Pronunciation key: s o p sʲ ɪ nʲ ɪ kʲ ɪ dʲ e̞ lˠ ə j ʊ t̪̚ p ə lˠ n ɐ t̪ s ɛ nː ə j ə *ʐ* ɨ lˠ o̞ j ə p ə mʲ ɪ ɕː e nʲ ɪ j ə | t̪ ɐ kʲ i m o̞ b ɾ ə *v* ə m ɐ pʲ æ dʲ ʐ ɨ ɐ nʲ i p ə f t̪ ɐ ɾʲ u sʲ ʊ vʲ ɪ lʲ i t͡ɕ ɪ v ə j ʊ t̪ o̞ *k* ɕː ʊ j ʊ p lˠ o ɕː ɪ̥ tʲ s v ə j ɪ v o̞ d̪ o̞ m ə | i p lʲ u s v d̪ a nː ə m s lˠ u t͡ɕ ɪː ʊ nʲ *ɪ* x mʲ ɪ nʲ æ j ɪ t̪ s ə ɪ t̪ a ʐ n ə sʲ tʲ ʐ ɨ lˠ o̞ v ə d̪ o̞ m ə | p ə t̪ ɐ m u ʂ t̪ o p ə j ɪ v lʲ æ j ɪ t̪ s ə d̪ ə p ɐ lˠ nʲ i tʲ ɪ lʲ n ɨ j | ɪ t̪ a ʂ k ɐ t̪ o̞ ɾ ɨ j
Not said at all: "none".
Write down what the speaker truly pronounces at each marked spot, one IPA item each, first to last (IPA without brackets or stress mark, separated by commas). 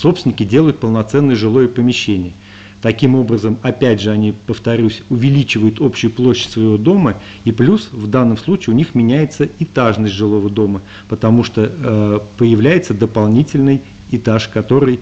ʐ, z, p, i